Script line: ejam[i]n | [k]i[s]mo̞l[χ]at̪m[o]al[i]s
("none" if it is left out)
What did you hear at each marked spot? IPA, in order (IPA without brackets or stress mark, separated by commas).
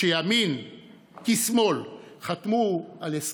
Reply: i, k, s, χ, u, e